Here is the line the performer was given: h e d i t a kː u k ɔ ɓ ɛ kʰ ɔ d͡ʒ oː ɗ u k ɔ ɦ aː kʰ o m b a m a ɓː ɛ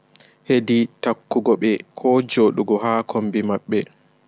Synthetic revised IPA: h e d i t a kː u ɡ ɔ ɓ ɛ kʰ ɔ d͡ʒ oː ɗ u ɡ ɔ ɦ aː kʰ o m b i m a ɓː ɛ